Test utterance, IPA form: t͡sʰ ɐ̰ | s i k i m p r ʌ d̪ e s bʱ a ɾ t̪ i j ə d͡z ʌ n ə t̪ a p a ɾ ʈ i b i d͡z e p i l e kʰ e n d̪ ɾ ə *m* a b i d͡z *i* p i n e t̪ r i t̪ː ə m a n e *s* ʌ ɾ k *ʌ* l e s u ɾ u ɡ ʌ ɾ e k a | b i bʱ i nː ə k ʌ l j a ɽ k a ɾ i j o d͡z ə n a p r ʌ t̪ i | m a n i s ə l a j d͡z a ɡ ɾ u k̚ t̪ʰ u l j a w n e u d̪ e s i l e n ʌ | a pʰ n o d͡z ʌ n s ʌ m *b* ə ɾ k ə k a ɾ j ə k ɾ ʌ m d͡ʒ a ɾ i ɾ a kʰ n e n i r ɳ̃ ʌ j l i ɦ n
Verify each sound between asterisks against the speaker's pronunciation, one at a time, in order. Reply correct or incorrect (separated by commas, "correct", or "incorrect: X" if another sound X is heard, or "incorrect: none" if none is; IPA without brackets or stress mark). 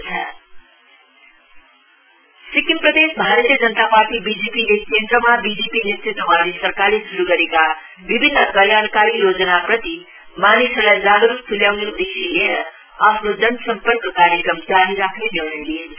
correct, incorrect: e, correct, incorrect: a, incorrect: p